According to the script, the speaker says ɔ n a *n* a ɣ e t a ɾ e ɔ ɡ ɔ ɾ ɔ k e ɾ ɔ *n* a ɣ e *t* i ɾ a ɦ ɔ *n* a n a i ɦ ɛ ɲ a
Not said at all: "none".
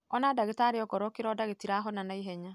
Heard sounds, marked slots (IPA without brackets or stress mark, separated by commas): d, d, t, n